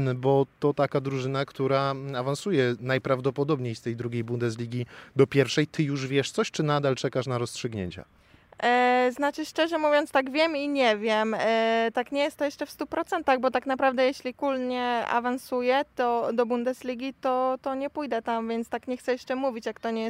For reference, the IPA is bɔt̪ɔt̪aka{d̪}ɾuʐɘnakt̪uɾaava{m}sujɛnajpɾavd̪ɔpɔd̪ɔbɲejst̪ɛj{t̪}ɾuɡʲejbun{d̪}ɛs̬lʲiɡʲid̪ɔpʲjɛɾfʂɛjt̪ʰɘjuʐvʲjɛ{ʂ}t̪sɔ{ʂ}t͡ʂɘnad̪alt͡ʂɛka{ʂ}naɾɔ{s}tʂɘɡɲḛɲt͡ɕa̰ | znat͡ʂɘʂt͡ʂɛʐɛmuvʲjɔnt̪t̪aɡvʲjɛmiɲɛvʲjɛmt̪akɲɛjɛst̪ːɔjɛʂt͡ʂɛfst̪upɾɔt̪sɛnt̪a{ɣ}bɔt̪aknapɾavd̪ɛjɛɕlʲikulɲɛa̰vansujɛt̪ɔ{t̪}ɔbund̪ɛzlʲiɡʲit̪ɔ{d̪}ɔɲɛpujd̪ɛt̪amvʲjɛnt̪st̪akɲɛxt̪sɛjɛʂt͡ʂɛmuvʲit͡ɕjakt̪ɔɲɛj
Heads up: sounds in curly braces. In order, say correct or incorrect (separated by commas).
correct, incorrect, incorrect, correct, correct, incorrect, correct, correct, correct, incorrect, incorrect